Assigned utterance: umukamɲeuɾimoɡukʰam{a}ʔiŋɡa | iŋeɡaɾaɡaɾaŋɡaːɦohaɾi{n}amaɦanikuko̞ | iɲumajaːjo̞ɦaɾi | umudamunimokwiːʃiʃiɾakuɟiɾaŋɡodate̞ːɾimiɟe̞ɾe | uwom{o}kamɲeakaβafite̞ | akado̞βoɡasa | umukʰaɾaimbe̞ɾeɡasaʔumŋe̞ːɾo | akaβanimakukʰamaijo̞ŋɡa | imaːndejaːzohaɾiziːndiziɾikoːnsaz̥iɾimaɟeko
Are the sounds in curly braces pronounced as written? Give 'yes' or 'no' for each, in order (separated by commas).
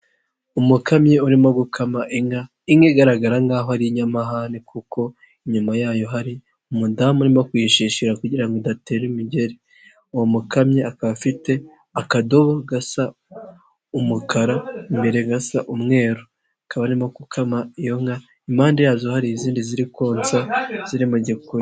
yes, no, no